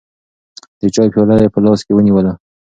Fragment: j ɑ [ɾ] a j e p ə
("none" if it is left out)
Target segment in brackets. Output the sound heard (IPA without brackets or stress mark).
l